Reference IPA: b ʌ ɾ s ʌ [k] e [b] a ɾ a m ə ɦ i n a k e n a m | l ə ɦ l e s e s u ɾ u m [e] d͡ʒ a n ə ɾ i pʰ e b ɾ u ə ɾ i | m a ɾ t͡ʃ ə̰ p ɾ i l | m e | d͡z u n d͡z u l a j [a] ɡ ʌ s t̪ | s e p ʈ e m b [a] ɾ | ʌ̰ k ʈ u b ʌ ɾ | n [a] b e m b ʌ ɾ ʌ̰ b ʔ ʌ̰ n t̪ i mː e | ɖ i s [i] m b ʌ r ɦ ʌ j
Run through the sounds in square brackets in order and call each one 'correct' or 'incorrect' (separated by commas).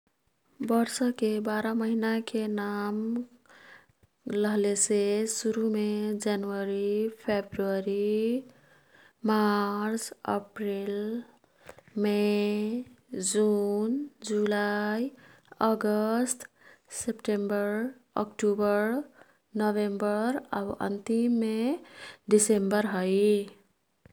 correct, correct, correct, incorrect, incorrect, incorrect, incorrect